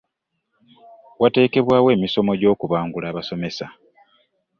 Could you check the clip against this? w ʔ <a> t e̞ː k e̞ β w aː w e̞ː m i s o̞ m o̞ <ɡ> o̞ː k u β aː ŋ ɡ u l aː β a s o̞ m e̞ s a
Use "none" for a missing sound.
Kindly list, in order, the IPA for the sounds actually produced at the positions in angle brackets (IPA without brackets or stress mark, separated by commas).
a, ɟ